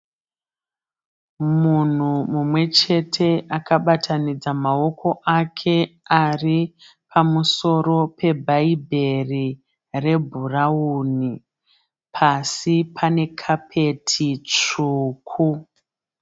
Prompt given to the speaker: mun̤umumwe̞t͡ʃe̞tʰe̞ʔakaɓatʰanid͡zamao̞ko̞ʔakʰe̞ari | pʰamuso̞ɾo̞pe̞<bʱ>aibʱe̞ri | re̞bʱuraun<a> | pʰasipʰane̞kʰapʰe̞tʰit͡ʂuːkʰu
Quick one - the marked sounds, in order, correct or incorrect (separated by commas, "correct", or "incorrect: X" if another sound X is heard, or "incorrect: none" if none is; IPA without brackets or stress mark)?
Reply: correct, incorrect: i